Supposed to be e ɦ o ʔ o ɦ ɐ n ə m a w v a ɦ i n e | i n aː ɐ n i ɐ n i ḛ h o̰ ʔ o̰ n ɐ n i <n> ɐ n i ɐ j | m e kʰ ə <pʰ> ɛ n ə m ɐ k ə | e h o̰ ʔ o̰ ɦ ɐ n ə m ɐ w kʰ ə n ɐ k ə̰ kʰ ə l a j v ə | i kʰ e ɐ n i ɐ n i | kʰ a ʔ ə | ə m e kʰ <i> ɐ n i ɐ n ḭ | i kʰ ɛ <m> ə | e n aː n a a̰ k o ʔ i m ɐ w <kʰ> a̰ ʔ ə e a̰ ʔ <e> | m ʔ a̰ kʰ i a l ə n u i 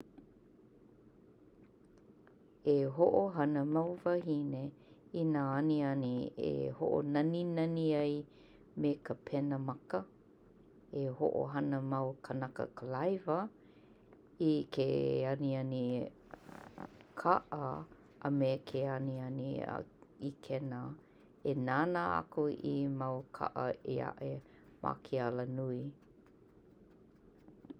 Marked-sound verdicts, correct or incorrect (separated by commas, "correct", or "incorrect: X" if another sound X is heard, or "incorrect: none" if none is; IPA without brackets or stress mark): correct, correct, incorrect: e, incorrect: n, correct, correct